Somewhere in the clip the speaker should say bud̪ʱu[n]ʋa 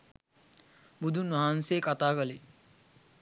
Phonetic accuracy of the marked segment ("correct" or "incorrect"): correct